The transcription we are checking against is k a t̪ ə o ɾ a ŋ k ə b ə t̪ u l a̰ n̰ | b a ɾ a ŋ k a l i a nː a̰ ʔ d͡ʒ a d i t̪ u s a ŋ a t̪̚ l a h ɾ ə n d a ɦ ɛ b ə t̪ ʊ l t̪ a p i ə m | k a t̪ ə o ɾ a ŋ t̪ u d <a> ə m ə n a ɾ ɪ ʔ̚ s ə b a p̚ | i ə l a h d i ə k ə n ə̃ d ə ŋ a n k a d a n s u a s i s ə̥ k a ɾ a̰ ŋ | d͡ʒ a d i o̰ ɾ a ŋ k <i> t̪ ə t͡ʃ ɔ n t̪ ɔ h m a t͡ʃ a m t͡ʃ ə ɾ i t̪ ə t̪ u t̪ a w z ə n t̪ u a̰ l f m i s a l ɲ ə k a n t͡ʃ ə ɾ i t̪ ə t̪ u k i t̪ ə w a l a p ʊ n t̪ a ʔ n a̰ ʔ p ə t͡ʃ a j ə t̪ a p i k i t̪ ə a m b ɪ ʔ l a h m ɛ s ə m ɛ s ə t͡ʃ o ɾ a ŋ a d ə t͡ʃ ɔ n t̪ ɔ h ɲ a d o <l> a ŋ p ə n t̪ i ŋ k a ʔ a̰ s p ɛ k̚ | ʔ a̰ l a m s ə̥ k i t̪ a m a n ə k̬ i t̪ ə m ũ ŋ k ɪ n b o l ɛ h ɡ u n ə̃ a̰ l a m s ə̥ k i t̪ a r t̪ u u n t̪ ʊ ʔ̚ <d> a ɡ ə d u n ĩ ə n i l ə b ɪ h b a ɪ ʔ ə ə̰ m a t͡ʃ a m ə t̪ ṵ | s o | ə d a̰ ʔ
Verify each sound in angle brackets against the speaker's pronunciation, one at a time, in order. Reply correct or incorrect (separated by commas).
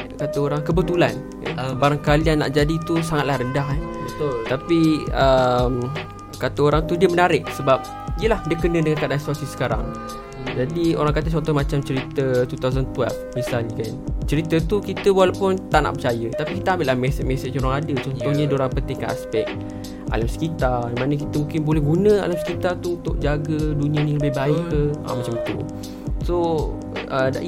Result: incorrect, incorrect, incorrect, incorrect